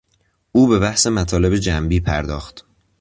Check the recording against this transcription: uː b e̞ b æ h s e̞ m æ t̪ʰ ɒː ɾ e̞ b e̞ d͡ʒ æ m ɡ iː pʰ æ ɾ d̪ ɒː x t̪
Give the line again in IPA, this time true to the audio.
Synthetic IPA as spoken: uː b e̞ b æ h s e̞ m æ t̪ʰ ɒː l e̞ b e̞ d͡ʒ æ m b iː pʰ æ ɾ d̪ ɒː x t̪